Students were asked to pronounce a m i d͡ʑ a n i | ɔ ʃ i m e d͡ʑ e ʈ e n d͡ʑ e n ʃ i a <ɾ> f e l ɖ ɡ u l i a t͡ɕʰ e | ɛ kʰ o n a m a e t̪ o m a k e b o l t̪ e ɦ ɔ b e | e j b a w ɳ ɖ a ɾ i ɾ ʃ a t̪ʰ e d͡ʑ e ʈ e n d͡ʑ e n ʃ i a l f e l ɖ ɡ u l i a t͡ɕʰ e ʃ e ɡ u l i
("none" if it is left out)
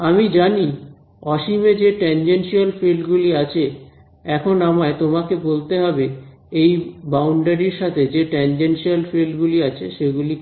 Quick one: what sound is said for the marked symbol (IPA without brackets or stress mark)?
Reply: l